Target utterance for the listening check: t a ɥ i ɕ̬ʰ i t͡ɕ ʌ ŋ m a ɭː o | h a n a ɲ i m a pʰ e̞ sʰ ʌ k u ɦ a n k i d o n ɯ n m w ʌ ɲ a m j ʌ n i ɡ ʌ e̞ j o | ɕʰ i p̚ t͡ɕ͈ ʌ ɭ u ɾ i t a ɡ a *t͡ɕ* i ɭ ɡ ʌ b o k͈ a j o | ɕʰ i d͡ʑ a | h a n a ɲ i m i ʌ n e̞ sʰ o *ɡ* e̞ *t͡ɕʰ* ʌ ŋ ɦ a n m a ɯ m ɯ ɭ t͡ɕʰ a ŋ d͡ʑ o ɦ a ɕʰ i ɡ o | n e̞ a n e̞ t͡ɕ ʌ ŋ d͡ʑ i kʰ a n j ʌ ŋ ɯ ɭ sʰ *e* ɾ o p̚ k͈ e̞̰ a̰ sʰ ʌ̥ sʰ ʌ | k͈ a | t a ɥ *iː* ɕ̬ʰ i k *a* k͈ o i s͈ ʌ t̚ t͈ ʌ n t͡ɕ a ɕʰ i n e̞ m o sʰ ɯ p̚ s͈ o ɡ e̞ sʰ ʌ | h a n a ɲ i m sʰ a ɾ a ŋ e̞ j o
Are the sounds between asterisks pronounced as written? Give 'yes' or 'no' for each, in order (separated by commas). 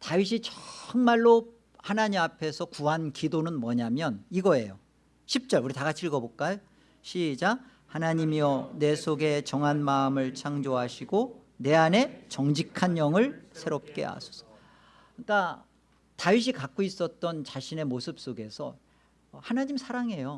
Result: no, yes, no, yes, no, yes